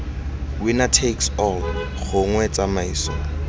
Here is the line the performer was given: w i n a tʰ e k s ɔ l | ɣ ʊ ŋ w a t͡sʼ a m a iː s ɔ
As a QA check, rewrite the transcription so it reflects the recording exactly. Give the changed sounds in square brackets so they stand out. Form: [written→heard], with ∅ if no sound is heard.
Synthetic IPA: w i n a tʰ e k s ɔ l | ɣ ʊ ŋ w [a→ɛ] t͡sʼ a m a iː s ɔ